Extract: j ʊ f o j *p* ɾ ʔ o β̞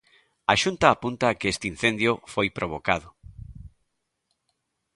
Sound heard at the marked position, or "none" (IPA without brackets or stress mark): p